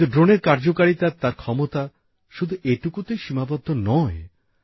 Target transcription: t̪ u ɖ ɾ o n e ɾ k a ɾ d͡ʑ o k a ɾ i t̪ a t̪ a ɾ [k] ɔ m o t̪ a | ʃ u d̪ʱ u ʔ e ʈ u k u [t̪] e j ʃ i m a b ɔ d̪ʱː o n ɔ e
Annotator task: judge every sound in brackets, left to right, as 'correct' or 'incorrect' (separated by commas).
incorrect, correct